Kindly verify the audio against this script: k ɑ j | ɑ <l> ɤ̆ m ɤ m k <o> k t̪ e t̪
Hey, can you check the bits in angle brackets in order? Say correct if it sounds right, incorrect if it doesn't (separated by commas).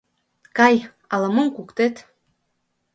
correct, incorrect